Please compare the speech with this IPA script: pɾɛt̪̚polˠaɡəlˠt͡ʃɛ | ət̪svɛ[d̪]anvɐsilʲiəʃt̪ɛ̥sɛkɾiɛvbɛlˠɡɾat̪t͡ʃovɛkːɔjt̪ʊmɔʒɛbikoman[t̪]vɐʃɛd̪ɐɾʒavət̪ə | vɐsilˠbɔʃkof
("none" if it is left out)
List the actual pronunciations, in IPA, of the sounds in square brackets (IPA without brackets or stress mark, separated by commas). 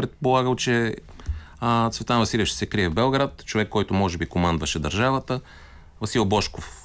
t̪, d̪